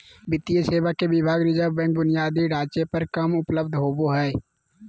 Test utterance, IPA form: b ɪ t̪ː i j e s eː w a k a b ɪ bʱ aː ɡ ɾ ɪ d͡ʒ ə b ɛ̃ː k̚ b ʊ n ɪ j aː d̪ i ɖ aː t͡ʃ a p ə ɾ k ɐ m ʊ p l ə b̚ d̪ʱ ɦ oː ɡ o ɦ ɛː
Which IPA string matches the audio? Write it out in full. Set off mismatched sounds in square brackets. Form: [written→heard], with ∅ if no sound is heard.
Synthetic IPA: b ɪ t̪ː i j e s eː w a k [a→e] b ɪ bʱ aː ɡ ɾ ɪ d͡ʒ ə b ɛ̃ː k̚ b ʊ n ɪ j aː d̪ i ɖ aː t͡ʃ [a→e] p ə ɾ k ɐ m ʊ p l ə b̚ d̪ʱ ɦ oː [ɡ→b] o ɦ ɛː